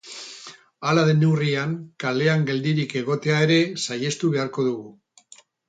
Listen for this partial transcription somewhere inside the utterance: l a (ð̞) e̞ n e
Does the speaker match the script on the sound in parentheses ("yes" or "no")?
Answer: yes